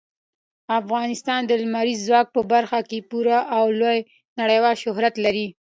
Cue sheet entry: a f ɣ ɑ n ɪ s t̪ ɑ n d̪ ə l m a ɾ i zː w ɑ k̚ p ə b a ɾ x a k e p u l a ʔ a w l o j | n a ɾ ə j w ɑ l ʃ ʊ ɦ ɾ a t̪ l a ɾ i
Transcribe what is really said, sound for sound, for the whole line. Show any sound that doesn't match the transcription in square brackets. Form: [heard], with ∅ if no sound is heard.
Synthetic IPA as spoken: a f ɣ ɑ n ɪ s t̪ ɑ n d̪ ə l m a ɾ i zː w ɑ k̚ p ə b a ɾ x a k e p u [ɾ] a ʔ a w l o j | n a [ɽ] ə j w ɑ l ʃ ʊ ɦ ɾ a t̪ l a ɾ i